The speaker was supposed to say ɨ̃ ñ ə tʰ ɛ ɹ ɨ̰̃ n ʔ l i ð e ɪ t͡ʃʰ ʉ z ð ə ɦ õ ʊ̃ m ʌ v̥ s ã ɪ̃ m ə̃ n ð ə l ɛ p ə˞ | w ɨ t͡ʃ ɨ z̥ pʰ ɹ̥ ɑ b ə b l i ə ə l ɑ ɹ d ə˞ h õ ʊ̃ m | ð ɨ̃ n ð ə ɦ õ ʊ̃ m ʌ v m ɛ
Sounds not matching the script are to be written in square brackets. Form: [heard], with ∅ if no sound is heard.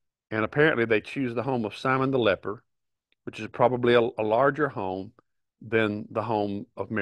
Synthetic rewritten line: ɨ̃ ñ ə [pʰ] ɛ ɹ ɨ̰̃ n ʔ l i ð e ɪ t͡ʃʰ ʉ z ð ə ɦ õ ʊ̃ m ʌ v̥ s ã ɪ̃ m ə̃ n ð ə l ɛ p ə˞ | w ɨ t͡ʃ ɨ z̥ pʰ ɹ̥ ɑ b ə b l i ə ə l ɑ ɹ [d͡ʒ] ə˞ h õ ʊ̃ m | ð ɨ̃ n ð ə ɦ õ ʊ̃ m ʌ v m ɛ